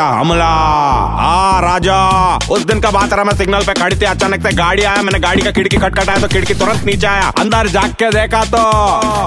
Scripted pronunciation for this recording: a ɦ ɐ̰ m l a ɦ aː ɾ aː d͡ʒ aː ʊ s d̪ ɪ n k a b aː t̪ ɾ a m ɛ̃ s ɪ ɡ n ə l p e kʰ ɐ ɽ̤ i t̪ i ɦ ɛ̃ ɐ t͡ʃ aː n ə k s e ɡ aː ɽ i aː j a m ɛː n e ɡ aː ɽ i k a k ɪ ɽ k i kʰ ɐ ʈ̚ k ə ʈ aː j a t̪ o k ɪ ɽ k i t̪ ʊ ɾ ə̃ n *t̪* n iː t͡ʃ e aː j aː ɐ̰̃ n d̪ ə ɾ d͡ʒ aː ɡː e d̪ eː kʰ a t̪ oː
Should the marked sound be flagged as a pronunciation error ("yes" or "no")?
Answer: no